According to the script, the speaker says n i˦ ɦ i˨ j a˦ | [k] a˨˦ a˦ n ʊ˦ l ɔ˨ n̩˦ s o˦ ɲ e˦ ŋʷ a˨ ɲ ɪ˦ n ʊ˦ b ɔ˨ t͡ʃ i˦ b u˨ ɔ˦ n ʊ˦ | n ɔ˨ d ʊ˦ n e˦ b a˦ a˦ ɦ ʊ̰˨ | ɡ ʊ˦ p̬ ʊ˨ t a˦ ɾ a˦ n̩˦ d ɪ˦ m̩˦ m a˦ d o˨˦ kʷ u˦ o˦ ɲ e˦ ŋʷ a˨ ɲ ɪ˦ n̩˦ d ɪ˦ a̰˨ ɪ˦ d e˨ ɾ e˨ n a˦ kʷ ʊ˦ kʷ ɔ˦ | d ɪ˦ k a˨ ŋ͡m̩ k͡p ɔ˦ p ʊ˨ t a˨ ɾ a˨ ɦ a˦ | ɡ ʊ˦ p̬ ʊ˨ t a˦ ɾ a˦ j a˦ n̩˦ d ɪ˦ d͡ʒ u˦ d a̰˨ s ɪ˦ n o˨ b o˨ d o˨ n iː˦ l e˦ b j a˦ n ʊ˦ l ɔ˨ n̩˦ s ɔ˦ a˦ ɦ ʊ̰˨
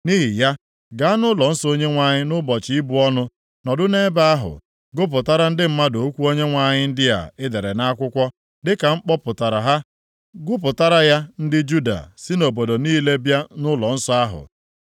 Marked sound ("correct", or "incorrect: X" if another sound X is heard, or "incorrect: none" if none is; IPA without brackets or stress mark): incorrect: ɡ